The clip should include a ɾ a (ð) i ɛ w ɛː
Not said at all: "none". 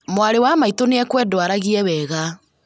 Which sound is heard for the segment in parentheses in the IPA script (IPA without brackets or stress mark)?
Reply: ɣ